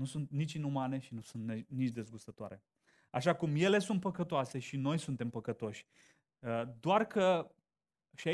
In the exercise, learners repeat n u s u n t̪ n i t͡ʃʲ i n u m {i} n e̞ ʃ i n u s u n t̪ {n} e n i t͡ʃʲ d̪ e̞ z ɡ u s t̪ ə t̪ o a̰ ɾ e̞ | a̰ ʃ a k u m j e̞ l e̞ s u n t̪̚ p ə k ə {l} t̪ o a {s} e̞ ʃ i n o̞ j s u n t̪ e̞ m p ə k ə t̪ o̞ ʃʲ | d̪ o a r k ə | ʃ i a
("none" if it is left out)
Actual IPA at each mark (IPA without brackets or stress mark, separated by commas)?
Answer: a, n, none, s